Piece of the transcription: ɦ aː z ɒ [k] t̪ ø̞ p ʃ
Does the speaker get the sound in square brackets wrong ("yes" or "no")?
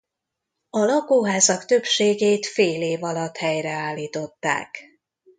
no